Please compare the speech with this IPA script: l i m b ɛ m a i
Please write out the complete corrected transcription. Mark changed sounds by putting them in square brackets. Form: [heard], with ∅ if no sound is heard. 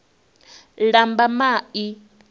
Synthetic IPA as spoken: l [a] m b [a] m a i